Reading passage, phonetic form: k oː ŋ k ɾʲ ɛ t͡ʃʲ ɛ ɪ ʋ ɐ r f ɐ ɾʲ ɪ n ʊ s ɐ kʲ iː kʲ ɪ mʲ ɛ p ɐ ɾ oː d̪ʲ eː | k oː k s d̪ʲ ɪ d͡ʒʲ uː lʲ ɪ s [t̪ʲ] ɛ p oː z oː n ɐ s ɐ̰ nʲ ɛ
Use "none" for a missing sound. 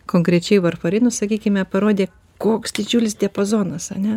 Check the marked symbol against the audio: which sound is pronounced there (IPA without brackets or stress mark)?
d̪ʲ